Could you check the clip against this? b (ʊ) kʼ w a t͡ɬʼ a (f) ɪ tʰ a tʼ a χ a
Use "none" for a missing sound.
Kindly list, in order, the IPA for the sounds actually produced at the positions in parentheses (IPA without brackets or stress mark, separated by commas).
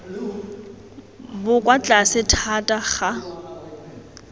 ʊ, s